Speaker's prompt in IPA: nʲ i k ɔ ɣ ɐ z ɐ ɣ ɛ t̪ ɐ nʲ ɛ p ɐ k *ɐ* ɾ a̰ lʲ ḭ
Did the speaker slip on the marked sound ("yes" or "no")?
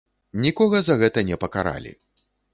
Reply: yes